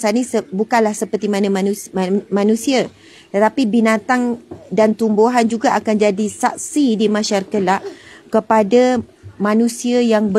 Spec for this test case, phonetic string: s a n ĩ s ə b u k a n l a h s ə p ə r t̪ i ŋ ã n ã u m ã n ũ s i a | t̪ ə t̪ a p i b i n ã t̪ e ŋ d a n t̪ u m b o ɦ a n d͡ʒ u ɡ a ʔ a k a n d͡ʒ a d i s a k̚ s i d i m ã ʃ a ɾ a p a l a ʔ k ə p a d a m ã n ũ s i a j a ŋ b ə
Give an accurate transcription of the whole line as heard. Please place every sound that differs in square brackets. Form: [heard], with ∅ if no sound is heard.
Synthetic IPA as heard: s a n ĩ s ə b u k a n l a h s ə p ə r t̪ i [m] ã n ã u m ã n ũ s i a | t̪ ə t̪ a p i b i n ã t̪ [a] ŋ d a n t̪ u m b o ɦ a n d͡ʒ u ɡ a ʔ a k a n d͡ʒ a d i s a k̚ s i d i m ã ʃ a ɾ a [k] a l a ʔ k ə p a d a m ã n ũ s i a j a ŋ b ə